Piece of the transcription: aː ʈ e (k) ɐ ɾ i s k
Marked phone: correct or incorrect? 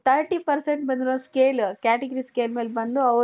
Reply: incorrect: ɡ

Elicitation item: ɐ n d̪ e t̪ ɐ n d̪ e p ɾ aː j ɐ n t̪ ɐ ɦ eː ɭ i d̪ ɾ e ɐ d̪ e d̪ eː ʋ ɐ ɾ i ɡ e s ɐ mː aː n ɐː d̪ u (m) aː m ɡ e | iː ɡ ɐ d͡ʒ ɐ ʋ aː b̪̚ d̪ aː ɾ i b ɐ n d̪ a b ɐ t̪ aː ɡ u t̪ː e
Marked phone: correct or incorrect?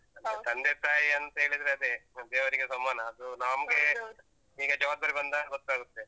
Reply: incorrect: n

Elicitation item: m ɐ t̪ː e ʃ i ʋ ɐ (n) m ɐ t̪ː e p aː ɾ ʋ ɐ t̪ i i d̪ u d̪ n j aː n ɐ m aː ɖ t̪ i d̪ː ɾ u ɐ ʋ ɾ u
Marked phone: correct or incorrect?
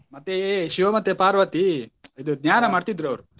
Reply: incorrect: none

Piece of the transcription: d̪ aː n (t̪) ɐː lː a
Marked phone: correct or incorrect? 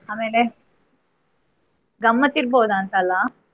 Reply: correct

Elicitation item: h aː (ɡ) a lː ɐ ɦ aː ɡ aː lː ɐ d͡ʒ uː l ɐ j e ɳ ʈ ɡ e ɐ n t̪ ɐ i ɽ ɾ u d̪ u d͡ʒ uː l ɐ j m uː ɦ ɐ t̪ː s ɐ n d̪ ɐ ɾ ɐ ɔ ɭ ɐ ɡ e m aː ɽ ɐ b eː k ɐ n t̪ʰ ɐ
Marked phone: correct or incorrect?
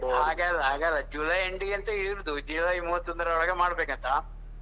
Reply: correct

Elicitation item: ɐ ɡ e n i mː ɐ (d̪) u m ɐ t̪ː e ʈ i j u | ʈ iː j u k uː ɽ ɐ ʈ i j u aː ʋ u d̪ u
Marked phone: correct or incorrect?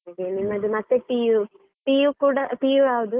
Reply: correct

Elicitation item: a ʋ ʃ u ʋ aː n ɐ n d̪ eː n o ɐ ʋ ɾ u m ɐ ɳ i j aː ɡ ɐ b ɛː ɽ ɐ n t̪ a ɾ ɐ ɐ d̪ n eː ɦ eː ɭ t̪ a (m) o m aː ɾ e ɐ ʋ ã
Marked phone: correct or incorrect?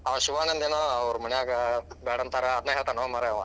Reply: incorrect: n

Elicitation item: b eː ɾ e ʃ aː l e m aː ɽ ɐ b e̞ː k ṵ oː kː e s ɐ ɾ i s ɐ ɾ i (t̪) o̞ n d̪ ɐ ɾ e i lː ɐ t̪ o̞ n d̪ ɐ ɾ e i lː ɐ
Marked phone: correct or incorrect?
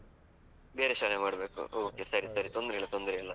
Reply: correct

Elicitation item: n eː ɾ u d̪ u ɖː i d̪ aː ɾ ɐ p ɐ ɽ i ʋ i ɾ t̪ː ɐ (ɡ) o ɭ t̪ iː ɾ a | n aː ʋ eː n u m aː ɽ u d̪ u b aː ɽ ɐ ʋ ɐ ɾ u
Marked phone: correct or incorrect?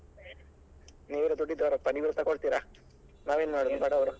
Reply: incorrect: k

